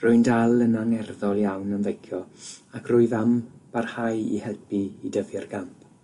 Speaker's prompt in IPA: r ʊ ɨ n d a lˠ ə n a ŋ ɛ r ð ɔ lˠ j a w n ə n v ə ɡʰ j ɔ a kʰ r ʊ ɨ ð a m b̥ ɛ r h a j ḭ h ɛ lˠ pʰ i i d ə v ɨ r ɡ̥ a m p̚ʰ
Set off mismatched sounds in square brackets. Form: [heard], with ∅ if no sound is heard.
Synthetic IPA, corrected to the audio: r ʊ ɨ n d a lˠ ə n a ŋ ɛ r ð ɔ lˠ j a w n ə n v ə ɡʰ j ɔ a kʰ r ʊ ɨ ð a m b̥ [a] r h a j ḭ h ɛ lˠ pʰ i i d ə v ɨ r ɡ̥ a m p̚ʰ